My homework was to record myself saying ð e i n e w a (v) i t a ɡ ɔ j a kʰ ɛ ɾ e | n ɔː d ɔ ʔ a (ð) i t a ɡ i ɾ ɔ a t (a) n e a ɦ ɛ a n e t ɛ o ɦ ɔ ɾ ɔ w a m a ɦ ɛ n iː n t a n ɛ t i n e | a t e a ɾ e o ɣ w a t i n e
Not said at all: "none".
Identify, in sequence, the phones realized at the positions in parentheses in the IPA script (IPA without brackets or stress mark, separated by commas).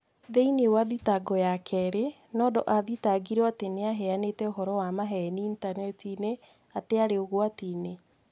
ð, ð, e